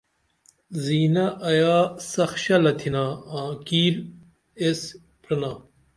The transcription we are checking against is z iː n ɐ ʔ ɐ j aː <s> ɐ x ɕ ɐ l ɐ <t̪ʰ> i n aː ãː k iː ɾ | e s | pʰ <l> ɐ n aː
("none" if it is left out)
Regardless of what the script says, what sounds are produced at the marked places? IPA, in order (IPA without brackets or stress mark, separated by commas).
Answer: s, t̪ʰ, ɾ